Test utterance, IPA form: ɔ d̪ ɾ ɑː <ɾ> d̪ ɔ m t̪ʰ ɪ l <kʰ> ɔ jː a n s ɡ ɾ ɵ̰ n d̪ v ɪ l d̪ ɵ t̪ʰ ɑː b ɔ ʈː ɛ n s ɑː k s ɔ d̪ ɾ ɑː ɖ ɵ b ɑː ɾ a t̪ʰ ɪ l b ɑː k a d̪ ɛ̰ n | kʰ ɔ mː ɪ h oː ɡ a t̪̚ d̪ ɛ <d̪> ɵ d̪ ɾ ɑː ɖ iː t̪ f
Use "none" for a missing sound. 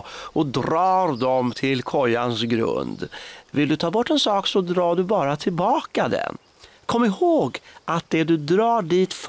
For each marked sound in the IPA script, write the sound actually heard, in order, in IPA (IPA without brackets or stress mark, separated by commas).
ɾ, kʰ, d̪